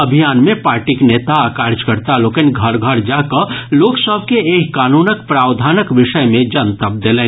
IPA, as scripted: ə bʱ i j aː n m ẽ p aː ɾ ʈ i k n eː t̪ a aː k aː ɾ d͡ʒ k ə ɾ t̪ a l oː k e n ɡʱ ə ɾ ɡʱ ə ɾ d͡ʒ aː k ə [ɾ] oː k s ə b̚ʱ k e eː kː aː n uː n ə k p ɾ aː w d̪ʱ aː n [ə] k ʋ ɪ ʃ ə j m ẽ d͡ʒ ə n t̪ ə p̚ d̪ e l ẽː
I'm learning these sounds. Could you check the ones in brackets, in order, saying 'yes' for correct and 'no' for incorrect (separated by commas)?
no, yes